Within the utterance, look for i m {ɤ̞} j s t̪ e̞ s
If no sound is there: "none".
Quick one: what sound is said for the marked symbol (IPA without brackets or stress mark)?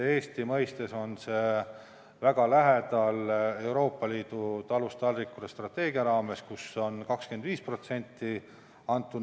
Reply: ɤ̞